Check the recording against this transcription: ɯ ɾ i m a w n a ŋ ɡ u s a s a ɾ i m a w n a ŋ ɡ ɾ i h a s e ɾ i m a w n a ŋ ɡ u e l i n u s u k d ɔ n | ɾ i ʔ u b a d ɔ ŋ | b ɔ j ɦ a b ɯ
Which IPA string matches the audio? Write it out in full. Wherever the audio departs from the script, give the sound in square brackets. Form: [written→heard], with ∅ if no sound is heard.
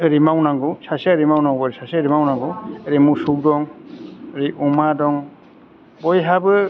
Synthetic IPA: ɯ ɾ i m a w n a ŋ ɡ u s a s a ɾ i m a w n a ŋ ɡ ɾ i [h→s] a s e ɾ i m a w n a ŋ ɡ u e [l→ɾ] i [n→m] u s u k d ɔ [n→ŋ] | ɾ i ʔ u [b→m] a d ɔ ŋ | b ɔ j ɦ a b ɯ